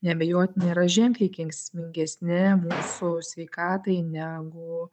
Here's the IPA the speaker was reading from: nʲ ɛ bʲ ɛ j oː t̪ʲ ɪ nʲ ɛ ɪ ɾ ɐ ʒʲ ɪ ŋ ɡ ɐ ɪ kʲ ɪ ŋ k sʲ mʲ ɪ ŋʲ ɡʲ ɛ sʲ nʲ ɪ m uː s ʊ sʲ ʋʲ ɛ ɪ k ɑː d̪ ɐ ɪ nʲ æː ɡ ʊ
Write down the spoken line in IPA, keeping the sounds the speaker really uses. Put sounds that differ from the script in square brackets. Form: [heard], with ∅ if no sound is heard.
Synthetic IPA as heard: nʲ ɛ bʲ ɛ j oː t̪ʲ ɪ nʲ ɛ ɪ ɾ ɐ ʒʲ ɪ ŋ [k] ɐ ɪ kʲ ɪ ŋ k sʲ mʲ ɪ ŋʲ ɡʲ ɛ sʲ nʲ ɪ m uː s ʊ sʲ ʋʲ ɛ ɪ k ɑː [t̪] ɐ ɪ nʲ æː ɡ ʊ